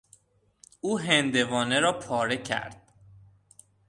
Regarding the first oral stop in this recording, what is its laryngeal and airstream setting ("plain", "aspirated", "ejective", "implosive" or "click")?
plain